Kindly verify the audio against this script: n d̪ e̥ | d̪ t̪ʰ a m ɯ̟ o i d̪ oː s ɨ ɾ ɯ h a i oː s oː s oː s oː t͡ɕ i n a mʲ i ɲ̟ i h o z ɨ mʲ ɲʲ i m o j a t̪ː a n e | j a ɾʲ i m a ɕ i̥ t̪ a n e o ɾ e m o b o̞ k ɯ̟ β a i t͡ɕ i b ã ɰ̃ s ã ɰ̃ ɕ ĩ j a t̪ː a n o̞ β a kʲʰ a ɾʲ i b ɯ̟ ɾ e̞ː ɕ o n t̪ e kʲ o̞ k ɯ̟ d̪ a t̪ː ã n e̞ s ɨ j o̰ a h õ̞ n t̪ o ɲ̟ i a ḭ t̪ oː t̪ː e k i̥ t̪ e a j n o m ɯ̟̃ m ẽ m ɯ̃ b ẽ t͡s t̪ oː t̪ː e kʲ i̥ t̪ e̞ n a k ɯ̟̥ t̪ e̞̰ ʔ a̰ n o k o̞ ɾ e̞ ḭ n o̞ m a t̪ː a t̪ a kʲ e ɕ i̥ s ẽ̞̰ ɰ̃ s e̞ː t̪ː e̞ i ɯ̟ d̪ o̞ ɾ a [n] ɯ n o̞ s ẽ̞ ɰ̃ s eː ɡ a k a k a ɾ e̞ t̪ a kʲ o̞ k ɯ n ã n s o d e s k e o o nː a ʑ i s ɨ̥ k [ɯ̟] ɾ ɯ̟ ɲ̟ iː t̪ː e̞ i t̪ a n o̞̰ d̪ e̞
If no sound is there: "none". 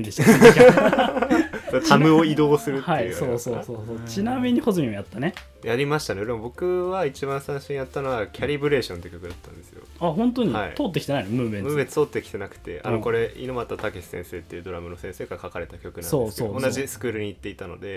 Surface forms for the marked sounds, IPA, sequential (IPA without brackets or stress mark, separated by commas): m, ɯ̟ː